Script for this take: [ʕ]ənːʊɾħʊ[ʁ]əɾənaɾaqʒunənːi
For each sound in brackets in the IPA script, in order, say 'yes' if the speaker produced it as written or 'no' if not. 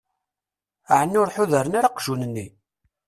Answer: yes, no

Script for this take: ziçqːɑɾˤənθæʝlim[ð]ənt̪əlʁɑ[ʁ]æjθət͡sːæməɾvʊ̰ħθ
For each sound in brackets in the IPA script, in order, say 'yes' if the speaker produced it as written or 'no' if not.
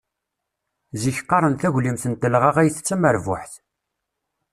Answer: no, yes

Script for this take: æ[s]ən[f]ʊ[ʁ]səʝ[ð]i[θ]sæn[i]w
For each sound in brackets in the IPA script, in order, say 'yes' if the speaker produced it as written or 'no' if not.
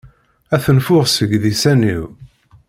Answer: no, yes, yes, yes, no, yes

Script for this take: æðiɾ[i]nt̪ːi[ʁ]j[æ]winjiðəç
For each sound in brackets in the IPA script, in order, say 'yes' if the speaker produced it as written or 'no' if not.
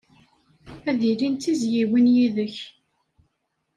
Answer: yes, no, no

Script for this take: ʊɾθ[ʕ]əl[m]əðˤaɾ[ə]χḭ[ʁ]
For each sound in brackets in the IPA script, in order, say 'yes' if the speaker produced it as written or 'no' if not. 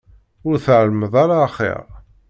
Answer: yes, yes, no, yes

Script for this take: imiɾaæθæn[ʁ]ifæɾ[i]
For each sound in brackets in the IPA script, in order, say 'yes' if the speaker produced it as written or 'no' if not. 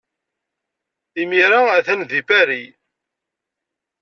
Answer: no, yes

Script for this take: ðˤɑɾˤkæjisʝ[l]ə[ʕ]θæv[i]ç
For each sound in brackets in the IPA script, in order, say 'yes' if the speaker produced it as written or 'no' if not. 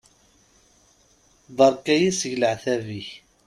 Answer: yes, yes, yes

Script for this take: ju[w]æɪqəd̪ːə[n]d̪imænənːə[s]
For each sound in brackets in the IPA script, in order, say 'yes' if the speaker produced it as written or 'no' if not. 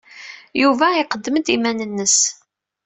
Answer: no, no, yes

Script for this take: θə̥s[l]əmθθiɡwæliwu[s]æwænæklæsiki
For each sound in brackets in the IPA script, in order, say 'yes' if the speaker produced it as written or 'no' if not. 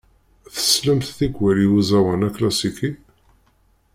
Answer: yes, no

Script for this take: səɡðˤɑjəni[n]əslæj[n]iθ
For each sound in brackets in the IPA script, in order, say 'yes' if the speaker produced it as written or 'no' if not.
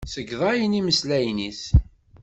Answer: no, yes

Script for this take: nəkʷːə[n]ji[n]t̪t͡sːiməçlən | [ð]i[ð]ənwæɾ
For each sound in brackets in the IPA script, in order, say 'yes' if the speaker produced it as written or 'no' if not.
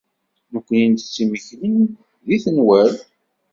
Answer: yes, yes, yes, no

